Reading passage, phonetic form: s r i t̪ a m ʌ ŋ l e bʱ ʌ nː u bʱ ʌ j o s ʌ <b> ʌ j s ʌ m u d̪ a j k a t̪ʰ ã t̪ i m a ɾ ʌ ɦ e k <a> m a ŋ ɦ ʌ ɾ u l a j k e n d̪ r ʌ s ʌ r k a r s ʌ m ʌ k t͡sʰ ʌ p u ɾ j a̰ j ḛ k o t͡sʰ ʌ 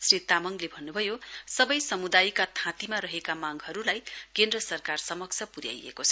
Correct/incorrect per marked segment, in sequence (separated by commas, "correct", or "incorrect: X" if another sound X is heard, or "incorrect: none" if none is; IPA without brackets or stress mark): correct, correct